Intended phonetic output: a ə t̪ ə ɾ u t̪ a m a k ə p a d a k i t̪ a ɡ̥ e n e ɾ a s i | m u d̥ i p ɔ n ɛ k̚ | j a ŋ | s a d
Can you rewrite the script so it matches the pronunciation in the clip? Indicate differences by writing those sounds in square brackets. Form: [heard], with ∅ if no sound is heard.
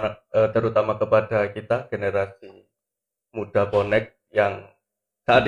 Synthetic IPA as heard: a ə t̪ ə ɾ u t̪ a m a k ə p a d a k i t̪ a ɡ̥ e n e ɾ a s i | m u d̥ [a] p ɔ n ɛ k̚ | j a ŋ | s a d